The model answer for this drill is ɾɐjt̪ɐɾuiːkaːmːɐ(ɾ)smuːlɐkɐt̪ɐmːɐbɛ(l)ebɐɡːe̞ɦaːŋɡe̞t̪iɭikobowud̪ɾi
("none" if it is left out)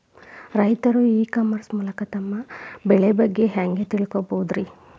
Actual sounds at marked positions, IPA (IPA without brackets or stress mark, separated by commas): ɾ, ɭ